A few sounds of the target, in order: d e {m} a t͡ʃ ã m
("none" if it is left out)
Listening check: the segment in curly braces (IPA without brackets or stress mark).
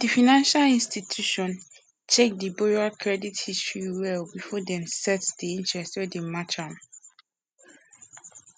m